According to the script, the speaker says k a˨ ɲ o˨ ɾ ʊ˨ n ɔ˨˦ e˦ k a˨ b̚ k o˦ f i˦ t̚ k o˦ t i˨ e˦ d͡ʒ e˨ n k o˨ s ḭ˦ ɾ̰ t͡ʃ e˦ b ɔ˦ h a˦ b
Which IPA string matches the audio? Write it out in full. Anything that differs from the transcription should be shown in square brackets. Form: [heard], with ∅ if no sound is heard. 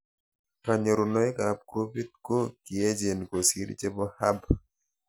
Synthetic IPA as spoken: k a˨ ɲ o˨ ɾ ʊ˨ n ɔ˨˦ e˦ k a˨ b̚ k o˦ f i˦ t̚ k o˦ [k] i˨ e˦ d͡ʒ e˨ n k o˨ s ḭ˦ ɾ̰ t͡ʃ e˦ b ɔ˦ h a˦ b